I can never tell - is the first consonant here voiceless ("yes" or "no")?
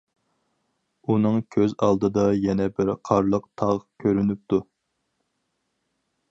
no